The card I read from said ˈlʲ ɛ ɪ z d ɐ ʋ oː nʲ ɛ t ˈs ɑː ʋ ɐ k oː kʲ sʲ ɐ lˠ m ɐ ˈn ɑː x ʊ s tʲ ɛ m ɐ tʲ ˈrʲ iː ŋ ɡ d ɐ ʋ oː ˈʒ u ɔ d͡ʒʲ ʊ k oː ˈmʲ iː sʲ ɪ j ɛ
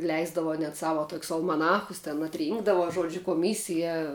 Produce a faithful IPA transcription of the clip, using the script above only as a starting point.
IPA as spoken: ˈlʲ ɛ ɪ z d ɐ ʋ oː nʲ ɛ t ˈs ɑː ʋ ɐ t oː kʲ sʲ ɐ lˠ m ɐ ˈn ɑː x ʊ s tʲ ɛ n ɐ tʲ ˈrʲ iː ŋ ɡ d ɐ ʋ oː ˈʒ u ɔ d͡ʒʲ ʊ k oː ˈmʲ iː sʲ ɪ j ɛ